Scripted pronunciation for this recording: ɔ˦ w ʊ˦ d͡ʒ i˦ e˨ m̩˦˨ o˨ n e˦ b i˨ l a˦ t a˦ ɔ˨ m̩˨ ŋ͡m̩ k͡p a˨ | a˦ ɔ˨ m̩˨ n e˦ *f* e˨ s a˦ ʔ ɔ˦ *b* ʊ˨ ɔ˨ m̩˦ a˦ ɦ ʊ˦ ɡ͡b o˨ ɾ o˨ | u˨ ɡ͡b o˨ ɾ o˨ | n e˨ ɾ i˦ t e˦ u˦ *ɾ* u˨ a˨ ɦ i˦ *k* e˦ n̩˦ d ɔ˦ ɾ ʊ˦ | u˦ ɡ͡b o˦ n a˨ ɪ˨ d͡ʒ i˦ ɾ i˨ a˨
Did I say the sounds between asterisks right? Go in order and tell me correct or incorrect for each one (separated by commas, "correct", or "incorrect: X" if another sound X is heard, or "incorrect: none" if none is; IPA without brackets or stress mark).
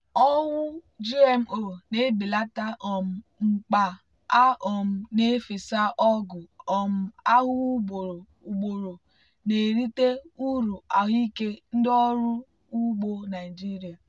correct, incorrect: ɡ, correct, correct